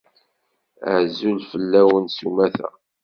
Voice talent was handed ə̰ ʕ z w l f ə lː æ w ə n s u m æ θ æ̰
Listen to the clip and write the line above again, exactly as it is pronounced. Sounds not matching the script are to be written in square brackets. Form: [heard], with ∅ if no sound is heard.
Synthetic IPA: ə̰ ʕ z [u] l f ə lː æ w ə n s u m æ θ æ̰

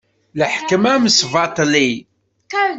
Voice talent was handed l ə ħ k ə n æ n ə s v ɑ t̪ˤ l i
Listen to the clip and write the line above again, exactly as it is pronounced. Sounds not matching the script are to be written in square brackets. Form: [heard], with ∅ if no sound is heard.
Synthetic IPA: l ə ħ k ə [m] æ [m] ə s v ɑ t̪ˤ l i

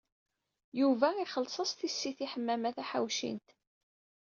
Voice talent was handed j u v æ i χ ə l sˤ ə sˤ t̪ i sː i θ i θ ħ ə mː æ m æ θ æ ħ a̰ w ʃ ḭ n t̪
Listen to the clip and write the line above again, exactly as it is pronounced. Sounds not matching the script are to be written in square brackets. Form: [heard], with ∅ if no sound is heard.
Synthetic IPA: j u v æ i χ ə l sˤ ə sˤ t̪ i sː i θ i [∅] ħ ə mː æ m æ θ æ ħ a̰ w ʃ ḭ n t̪

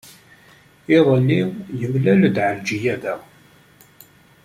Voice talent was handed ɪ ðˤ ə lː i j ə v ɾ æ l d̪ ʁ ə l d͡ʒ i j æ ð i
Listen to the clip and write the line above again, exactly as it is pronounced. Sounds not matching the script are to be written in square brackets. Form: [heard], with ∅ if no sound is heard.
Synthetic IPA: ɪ ðˤ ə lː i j ə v [l] æ l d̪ [ʕ] ə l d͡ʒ i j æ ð [æ]

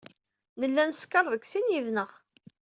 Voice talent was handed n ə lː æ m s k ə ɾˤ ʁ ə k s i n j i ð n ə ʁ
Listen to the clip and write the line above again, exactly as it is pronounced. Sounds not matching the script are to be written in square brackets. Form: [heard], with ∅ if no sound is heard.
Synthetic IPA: n ə lː æ [n] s k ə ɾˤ [ð] ə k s i n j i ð n ə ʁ

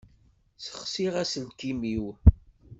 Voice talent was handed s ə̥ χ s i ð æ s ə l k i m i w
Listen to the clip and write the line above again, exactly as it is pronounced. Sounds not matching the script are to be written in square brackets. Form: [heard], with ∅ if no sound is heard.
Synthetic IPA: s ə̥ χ s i [ʁ] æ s ə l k i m i w

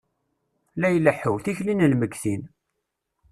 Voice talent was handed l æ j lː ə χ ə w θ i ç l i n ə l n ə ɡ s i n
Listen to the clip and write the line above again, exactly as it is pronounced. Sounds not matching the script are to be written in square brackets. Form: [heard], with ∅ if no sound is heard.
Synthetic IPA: l æ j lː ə [ħ] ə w θ i ç l i n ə l [m] ə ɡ [θ] i n

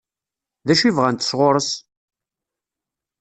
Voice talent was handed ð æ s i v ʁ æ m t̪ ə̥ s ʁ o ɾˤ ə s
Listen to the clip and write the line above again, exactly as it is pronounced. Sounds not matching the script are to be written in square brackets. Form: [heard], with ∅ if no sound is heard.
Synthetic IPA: ð æ [ʃ] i v ʁ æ [n] t̪ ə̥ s ʁ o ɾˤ ə s

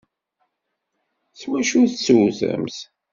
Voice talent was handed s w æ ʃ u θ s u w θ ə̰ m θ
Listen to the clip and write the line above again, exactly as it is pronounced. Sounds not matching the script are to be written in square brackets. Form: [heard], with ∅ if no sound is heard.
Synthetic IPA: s w æ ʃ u θ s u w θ ə̰ m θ

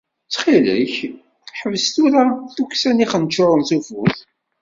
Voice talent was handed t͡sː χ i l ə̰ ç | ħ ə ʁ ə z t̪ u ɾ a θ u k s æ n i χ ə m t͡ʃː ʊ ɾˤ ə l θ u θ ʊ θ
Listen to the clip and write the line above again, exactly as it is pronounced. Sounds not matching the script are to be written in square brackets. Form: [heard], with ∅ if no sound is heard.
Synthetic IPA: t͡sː χ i l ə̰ ç | ħ ə [v] ə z t̪ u ɾ a θ u k s æ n i χ ə [n] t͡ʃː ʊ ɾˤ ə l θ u [f] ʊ θ

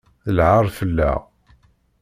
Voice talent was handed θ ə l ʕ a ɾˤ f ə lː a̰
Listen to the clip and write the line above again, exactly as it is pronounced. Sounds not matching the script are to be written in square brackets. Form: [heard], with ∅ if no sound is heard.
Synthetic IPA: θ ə l ʕ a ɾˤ f ə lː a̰

